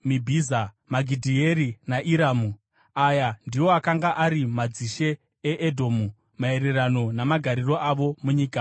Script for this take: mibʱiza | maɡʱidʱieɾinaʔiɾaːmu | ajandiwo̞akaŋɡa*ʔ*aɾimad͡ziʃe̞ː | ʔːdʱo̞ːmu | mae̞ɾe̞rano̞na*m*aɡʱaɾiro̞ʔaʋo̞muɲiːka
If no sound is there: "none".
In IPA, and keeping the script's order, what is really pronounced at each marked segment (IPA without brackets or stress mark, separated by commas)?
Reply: ʔ, m